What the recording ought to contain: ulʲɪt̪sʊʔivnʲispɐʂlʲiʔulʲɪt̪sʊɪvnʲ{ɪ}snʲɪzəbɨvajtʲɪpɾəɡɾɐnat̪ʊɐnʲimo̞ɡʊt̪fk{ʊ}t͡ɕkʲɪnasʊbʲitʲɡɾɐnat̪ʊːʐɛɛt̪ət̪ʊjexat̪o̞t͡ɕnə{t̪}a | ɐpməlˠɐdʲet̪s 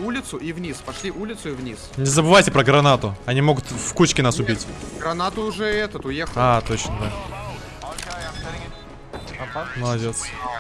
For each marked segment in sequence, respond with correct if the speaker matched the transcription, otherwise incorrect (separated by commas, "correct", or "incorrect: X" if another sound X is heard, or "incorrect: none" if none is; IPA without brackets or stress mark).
incorrect: i, incorrect: u, incorrect: d̪